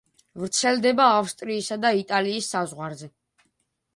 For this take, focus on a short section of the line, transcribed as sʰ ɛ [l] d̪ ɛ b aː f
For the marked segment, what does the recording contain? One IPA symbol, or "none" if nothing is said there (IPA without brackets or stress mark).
l